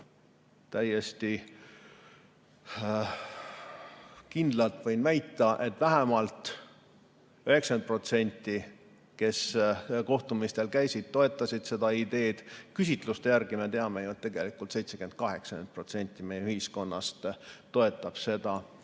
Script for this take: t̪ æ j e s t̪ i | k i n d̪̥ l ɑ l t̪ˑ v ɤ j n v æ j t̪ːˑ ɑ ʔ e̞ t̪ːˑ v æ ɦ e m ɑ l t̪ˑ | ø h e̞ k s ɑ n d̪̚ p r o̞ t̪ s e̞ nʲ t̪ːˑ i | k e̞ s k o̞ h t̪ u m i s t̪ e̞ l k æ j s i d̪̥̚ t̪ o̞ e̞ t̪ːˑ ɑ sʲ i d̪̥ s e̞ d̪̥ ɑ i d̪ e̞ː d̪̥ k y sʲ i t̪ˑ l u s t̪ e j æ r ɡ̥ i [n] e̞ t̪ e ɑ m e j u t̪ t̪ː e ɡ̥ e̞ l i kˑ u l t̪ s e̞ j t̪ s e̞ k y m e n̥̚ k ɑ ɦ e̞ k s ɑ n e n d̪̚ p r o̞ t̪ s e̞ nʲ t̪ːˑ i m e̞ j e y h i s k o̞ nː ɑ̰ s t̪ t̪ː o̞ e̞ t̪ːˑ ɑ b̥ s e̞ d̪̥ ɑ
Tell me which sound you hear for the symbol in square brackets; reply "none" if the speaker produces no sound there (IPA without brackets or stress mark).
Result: m